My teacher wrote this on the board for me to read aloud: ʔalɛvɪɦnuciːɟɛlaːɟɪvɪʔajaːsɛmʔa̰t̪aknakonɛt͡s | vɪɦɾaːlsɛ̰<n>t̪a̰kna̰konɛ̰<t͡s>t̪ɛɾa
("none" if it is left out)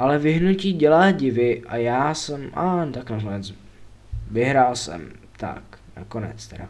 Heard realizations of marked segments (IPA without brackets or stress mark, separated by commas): m, t͡s